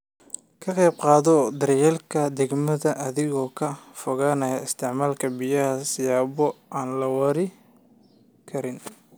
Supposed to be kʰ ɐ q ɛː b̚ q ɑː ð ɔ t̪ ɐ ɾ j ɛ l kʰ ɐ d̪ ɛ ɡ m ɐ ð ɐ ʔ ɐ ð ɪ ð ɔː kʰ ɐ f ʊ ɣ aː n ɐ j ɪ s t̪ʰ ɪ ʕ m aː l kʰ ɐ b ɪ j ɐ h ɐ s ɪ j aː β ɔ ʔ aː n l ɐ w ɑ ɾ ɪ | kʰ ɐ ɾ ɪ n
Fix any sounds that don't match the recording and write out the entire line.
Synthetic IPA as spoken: kʰ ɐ q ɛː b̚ q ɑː ð ɔ d̪ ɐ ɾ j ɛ l kʰ ɐ d̪ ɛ ɡ m ɐ ð ɐ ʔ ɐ ð ɪ ɣ ɔː kʰ ɐ f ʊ ɣ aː n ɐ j ɪ s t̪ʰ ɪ ʕ m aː l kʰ ɐ b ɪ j ɐ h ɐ s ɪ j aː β ɔ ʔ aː n l ɐ w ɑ ɾ ɪ | kʰ ɐ ɾ ɪ n

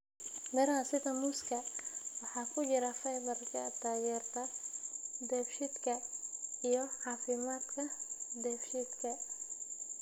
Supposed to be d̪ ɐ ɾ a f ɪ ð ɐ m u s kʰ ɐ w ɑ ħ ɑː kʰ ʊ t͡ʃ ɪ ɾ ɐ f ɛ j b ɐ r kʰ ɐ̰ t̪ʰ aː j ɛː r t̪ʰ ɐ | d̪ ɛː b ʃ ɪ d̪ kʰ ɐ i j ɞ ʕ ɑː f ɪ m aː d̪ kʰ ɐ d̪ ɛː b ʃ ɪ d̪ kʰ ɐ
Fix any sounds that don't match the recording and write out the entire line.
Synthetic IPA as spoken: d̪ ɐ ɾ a s ɪ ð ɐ m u s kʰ ɐ w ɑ ħ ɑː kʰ ʊ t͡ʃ ɪ ɾ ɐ f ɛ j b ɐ r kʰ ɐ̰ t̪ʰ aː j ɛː r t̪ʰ ɐ | d̪ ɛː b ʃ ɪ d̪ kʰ ɐ i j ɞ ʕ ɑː f ɪ m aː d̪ kʰ ɐ d̪ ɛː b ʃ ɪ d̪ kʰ ɐ

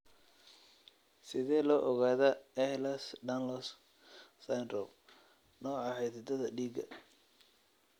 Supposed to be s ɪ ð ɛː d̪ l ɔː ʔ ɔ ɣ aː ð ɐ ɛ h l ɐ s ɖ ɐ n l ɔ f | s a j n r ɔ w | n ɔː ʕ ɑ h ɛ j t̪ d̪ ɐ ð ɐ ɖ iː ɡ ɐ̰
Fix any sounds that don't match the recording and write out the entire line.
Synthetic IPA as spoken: s ɪ ð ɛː l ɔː ʔ ɔ ɣ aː ð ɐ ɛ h l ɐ s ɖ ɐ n l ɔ s | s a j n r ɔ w | n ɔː ʕ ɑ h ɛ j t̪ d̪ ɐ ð ɐ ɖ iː ɡ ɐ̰

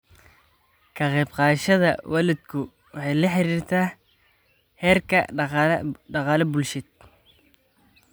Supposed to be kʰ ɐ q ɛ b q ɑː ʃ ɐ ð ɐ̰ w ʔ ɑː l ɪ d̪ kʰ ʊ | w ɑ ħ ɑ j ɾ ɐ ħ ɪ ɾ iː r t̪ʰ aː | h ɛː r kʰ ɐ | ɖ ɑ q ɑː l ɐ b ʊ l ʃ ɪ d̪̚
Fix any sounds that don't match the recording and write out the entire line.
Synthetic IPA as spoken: kʰ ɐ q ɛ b q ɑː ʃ ɐ ð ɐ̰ w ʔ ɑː l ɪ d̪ kʰ ʊ | w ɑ ħ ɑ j l ɐ ħ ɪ ɾ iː r t̪ʰ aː | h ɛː r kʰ ɐ | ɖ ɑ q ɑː l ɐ b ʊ l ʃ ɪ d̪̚

